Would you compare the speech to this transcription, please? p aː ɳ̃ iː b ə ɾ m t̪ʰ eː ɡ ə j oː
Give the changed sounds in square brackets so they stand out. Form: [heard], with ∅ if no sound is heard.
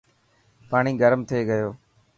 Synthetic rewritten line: p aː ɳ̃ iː [ɡ] ə ɾ m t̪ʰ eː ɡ ə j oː